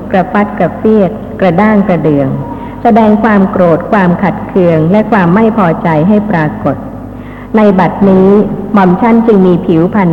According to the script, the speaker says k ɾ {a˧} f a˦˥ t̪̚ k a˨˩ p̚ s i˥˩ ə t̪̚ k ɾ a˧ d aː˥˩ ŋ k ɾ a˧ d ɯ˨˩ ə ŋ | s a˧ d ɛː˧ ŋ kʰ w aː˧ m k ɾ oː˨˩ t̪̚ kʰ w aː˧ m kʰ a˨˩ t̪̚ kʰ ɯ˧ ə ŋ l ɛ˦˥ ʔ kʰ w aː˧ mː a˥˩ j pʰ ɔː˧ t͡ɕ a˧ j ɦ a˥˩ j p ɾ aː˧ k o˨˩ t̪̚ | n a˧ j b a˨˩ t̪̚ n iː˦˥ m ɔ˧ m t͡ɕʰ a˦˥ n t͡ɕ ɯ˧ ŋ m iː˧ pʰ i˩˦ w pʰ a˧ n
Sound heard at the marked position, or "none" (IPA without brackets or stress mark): a˧